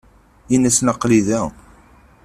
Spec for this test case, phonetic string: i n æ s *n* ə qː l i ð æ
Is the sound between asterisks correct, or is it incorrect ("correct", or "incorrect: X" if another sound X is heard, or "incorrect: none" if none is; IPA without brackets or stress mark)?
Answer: correct